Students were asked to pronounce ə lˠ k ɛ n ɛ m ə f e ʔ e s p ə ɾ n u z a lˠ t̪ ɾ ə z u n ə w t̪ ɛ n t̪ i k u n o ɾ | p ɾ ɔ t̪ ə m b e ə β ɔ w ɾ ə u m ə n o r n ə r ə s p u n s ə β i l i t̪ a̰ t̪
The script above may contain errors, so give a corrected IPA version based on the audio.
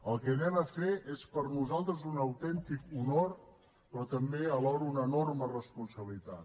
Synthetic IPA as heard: ə lˠ k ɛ n ɛ m ə f e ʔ e s p ə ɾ n u z a lˠ t̪ ɾ ə z u n ə w t̪ ɛ n t̪ i k u n o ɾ | p ɾ ɔ t̪ ə m b e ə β ɔ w ɾ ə u n ə n o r m ə r ə s p u n s ə β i l i t̪ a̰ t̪